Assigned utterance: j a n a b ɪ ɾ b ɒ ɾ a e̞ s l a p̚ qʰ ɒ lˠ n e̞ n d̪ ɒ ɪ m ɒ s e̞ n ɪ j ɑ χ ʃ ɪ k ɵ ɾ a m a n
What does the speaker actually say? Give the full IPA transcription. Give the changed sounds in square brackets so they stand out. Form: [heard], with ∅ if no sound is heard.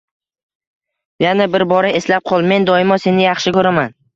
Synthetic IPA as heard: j a n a b ɪ ɾ b ɒ ɾ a e̞ s l a p̚ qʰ ɒ lˠ [m] e̞ n d̪ ɒ ɪ m ɒ s e̞ n ɪ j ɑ χ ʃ ɪ k ɵ ɾ a m a n